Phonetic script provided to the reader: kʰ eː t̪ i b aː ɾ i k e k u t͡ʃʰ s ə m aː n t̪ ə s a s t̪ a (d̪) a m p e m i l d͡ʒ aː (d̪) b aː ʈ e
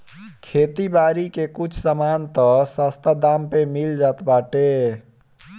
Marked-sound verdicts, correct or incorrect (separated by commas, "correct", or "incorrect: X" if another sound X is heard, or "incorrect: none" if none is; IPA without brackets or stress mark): correct, incorrect: t̪